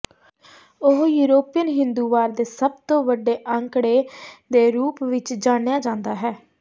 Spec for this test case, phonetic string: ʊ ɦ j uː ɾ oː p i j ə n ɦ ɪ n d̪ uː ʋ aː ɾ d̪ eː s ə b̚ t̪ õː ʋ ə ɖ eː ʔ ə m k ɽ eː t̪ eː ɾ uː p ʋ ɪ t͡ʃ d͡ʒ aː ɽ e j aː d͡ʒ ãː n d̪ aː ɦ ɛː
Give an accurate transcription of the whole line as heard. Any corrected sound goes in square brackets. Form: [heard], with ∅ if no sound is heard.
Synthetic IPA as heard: ʊ ɦ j uː ɾ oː p i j ə n ɦ ɪ n d̪ uː ʋ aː ɾ d̪ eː s ə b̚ t̪ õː ʋ ə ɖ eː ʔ ə [ŋ] k ɽ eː [d̪] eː ɾ uː p ʋ ɪ t͡ʃ d͡ʒ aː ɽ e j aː d͡ʒ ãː n d̪ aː ɦ ɛː

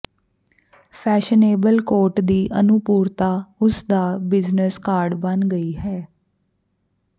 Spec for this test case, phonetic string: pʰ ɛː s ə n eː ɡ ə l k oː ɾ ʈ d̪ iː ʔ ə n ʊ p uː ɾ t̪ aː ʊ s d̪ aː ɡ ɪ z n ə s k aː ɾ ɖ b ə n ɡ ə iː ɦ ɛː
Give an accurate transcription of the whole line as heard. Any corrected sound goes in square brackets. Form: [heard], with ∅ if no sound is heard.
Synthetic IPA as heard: pʰ ɛː [ʃ] ə n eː [b] ə l k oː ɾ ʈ d̪ iː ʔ ə n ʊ p uː ɾ t̪ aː ʊ s d̪ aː [b] ɪ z n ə s k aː ɾ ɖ b ə n ɡ ə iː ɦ ɛː

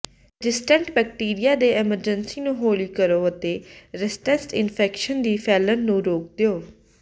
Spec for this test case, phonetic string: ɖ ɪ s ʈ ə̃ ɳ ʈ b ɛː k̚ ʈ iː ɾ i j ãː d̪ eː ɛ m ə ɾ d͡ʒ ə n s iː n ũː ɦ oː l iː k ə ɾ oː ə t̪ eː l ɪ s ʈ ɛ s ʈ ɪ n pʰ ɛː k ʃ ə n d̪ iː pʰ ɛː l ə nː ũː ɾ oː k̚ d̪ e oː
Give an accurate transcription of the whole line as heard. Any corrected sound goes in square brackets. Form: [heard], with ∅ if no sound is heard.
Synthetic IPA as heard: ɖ ɪ s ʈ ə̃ ɳ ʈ b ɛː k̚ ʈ iː ɾ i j [aː] d̪ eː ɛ m ə ɾ d͡ʒ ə n s iː n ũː ɦ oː l iː k ə ɾ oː ə t̪ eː [ɾ] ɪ s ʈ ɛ s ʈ ɪ n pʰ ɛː k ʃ ə n d̪ iː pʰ ɛː l ə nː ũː ɾ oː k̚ d̪ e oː

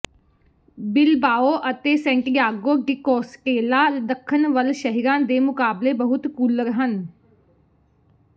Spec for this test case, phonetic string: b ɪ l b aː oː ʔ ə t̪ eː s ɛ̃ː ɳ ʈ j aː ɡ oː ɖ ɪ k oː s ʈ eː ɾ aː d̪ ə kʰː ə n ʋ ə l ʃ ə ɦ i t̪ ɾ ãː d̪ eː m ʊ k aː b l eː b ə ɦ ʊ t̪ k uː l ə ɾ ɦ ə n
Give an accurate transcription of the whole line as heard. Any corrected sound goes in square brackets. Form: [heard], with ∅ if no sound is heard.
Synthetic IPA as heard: b ɪ l b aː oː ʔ ə t̪ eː s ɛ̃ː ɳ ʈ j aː ɡ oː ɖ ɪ k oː s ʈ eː [l] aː d̪ ə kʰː ə n ʋ ə l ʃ ə ɦ i [∅] ɾ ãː d̪ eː m ʊ k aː b l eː b ə ɦ ʊ t̪ k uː l ə ɾ ɦ ə n

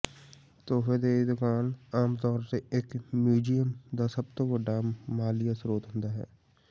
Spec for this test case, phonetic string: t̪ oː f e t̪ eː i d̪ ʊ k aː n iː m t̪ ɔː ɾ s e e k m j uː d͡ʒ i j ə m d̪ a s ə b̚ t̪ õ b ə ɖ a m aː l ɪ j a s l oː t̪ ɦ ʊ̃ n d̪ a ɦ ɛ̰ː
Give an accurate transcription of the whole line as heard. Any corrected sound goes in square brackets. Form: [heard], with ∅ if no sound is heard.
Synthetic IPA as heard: t̪ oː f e [d̪] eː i d̪ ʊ k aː n [aː] m t̪ ɔː ɾ s e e k m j uː d͡ʒ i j ə m d̪ a s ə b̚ t̪ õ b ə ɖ a m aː l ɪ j a s [ɾ] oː t̪ ɦ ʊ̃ n d̪ a ɦ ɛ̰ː

